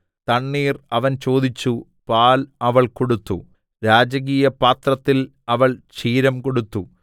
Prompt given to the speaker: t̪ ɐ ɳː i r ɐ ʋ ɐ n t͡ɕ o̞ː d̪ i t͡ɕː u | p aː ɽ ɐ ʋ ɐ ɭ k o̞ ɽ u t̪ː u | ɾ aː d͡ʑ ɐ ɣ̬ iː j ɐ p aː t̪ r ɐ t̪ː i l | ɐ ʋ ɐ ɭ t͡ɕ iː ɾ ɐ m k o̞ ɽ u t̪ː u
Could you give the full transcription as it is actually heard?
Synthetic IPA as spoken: t̪ ɐ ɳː iː r ɐ ʋ ɐ n t͡ɕ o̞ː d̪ i t͡ɕː u | p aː l ɐ ʋ ɐ ɭ k o̞ ɽ u t̪ː u | ɾ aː d͡ʑ ɐ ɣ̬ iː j ɐ p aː t̪ r ɐ t̪ː i l | ɐ ʋ ɐ ɭ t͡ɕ iː ɾ ɐ m k o̞ ɽ u t̪ː u